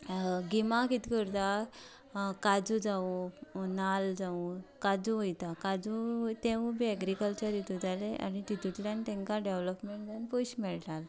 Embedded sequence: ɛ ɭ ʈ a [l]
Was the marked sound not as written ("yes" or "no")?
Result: no